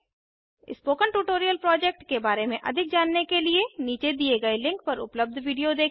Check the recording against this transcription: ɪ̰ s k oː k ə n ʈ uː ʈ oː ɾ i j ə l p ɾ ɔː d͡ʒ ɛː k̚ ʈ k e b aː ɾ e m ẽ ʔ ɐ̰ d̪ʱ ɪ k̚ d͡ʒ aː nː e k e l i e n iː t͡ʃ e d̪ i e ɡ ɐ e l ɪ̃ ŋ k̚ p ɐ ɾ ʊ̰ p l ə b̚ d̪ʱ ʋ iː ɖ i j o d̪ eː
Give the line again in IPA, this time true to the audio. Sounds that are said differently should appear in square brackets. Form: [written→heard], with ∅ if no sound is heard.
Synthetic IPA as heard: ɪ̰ s [k→p] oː k ə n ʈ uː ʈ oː ɾ i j ə l p ɾ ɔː d͡ʒ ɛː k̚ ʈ k e b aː ɾ e m ẽ ʔ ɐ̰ d̪ʱ ɪ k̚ d͡ʒ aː nː e k e l i e n iː t͡ʃ e d̪ i e ɡ ɐ e l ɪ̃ ŋ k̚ p ɐ ɾ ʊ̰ p l ə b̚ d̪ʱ ʋ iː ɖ i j o d̪ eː